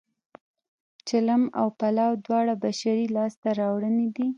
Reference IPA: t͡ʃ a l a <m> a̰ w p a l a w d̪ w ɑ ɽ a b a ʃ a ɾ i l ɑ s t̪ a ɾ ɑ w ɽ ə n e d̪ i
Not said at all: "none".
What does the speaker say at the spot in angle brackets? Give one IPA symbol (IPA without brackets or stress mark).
m